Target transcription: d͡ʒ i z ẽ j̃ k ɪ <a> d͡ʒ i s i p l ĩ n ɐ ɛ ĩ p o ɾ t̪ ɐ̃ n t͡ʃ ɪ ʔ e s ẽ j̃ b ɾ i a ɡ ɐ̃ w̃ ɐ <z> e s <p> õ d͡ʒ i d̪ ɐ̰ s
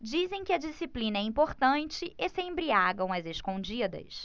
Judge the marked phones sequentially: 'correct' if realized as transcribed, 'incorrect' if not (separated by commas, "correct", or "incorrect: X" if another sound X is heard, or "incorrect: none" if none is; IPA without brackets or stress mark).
incorrect: ɐ, correct, incorrect: k